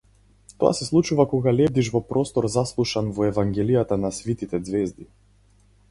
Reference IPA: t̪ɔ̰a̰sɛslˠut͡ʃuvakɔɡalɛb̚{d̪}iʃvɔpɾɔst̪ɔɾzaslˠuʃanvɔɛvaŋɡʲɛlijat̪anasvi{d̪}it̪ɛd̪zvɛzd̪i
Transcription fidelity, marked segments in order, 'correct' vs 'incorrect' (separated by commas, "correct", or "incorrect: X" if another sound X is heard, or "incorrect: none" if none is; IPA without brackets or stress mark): correct, incorrect: t̪